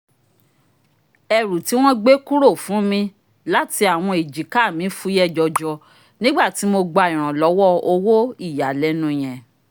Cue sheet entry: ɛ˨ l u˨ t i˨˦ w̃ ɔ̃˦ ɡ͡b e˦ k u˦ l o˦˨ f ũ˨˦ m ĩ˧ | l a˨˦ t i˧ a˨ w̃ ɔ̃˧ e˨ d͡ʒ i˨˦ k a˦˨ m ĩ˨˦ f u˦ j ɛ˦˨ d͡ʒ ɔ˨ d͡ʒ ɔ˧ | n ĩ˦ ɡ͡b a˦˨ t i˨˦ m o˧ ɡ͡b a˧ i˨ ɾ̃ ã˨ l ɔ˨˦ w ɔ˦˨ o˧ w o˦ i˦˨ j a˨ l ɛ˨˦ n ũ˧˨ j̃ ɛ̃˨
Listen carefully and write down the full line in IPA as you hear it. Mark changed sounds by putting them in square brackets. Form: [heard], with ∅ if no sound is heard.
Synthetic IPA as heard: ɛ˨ [ɾ] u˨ t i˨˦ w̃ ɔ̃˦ ɡ͡b e˦ k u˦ [ɾ] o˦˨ f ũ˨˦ m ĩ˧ | l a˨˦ t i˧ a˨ w̃ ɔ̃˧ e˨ d͡ʒ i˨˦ k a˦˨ m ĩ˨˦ f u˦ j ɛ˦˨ d͡ʒ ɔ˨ d͡ʒ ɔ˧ | n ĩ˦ ɡ͡b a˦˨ t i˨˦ m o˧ ɡ͡b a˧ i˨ ɾ̃ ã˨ l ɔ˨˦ w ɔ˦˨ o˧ w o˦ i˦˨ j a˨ l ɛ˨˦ n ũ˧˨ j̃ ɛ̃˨